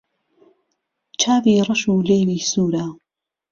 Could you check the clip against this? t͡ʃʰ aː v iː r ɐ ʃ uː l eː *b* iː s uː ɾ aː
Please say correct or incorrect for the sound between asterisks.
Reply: incorrect: w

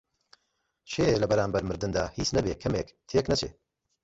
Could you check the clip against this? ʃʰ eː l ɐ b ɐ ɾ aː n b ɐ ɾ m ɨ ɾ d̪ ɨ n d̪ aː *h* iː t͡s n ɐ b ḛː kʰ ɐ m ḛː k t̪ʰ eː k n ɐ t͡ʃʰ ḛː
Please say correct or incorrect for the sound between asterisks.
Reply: correct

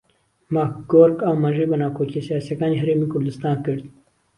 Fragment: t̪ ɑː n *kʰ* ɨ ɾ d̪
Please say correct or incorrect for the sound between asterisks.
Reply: incorrect: k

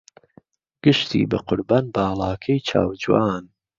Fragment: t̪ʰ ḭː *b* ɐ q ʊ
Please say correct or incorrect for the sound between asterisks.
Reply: correct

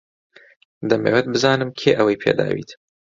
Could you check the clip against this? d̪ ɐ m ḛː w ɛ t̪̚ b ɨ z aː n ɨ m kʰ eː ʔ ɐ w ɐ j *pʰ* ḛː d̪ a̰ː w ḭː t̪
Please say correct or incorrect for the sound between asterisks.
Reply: correct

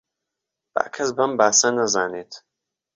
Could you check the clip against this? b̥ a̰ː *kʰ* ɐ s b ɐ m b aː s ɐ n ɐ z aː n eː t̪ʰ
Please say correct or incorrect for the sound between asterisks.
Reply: correct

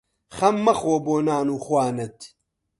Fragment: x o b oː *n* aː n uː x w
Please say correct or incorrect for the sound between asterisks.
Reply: correct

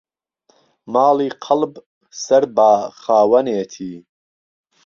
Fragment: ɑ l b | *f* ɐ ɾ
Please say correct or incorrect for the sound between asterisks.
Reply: incorrect: s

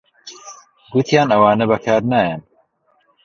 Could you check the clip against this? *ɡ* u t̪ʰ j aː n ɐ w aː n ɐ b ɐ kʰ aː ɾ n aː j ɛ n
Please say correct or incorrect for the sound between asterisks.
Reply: correct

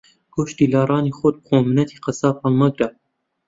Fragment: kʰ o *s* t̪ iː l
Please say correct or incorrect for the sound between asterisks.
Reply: incorrect: ʃ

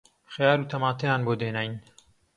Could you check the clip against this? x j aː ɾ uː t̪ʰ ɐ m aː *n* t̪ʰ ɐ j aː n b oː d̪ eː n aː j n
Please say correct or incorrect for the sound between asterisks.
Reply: incorrect: none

